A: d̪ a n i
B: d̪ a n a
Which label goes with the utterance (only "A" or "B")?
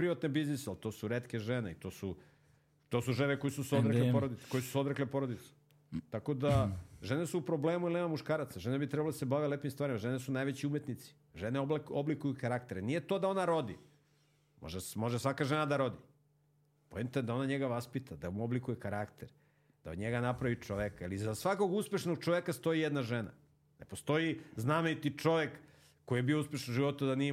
A